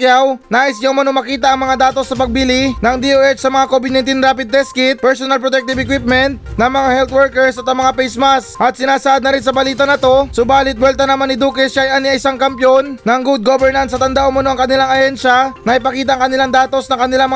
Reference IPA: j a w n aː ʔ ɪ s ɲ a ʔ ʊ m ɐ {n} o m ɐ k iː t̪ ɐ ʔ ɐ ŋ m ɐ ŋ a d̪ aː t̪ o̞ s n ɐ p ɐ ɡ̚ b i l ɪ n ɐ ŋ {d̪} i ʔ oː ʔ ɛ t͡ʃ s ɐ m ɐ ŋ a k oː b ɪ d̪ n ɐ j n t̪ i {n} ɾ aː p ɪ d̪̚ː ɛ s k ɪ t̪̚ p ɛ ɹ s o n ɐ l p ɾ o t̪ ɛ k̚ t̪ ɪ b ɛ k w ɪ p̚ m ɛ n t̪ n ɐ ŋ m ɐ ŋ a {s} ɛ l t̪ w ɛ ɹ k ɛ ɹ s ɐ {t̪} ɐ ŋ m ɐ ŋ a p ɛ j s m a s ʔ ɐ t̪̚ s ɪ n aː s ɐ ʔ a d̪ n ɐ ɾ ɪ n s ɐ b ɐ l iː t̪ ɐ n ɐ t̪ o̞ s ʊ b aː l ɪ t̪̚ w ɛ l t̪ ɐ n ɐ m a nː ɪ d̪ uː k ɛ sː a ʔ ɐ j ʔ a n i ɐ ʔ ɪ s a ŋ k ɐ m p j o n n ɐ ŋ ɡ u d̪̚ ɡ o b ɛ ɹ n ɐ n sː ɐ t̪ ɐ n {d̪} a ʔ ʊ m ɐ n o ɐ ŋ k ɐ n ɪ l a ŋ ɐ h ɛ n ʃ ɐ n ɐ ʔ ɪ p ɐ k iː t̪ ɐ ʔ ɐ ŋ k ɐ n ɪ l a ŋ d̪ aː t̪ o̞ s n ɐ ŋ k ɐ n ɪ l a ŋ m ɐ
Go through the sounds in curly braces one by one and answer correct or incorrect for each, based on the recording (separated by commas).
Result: correct, correct, correct, incorrect, correct, correct